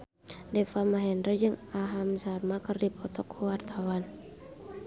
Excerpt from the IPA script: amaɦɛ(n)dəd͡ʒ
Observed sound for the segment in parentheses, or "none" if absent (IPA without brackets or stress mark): n